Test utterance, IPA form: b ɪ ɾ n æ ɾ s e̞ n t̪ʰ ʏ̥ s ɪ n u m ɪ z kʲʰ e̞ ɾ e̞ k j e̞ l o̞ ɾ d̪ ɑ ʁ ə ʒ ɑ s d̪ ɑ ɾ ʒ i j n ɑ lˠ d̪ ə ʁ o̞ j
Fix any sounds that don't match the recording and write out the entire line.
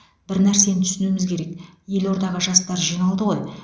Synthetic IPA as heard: b ɪ ɾ n æ ɾ s e̞ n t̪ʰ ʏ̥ s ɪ n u m ɪ z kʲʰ e̞ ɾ e̞ k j e̞ l o̞ ɾ d̪ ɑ ʁ ə ʒ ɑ s t̪ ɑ ɾ ʒ i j n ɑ lˠ d̪ ə ʁ o̞ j